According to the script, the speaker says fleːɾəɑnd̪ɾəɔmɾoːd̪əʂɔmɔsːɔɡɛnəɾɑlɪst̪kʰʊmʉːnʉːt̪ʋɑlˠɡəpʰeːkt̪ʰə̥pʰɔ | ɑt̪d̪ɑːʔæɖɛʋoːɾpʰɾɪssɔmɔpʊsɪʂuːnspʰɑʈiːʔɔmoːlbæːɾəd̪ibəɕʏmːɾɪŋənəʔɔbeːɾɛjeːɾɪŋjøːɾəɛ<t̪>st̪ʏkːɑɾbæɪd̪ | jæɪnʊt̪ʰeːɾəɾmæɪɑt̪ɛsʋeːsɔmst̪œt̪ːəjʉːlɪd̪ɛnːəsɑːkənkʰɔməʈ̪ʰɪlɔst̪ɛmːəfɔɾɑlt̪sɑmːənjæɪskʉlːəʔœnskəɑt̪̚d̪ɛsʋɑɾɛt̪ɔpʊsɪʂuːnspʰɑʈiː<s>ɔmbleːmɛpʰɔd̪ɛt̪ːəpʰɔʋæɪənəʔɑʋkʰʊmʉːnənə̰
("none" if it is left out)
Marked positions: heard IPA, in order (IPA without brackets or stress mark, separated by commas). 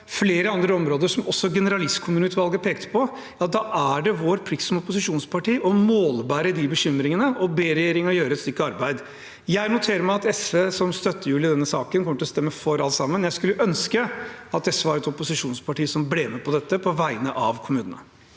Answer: t̪, s